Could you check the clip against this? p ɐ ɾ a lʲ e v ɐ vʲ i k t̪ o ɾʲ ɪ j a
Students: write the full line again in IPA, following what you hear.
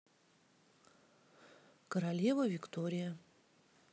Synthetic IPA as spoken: k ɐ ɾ a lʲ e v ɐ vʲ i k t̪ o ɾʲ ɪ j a